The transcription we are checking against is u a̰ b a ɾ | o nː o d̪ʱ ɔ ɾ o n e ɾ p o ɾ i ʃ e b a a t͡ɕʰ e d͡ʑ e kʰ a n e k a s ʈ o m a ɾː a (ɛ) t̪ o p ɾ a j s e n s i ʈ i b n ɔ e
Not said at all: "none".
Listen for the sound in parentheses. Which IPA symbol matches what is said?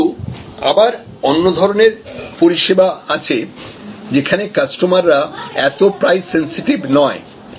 ɛ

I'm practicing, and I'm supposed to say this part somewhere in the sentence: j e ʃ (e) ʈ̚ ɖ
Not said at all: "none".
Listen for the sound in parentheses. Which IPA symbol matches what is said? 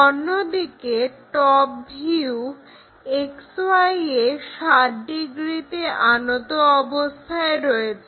a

